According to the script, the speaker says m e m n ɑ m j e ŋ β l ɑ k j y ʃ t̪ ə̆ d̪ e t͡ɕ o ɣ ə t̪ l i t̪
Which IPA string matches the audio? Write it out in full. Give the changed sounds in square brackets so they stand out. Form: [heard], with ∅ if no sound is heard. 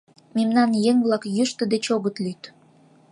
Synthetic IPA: m e m n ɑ [n] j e ŋ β l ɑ k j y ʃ t̪ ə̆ d̪ e t͡ɕ o ɣ ə t̪ l [y] t̪